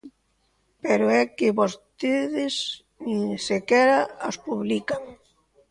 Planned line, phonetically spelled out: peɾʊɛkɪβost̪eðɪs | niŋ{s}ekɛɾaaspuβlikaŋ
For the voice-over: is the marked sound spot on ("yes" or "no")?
yes